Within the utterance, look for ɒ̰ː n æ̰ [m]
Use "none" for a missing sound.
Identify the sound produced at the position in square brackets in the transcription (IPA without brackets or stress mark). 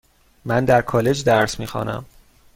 m